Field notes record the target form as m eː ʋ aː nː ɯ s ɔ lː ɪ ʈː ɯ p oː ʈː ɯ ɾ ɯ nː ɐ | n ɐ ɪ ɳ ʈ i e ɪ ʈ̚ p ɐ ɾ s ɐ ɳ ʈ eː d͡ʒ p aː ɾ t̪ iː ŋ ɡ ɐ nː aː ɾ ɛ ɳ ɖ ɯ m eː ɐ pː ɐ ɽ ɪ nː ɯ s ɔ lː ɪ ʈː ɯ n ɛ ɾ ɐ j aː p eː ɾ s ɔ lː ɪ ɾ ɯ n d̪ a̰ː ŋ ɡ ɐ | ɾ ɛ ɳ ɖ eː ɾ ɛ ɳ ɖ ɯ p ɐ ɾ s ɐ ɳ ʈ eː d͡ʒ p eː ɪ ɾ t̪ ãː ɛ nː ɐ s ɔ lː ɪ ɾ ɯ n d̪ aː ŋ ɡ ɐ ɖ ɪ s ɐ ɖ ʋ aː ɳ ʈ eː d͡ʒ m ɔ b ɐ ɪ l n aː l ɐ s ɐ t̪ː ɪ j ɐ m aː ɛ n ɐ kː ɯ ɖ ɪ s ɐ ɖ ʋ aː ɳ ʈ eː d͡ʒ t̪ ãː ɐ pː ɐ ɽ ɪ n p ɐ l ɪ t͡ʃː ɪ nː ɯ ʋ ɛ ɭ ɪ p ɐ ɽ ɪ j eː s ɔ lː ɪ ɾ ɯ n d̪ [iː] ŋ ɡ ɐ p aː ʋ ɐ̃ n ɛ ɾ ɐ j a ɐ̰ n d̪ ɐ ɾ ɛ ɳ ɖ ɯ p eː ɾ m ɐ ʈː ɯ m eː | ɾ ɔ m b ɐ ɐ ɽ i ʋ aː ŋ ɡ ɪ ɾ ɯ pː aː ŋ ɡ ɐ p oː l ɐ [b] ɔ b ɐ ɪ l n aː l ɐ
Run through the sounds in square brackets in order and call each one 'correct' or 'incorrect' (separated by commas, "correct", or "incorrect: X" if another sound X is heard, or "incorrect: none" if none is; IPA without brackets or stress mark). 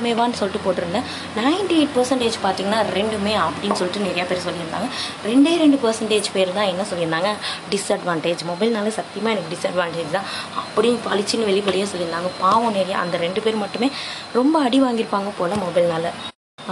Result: incorrect: aː, incorrect: m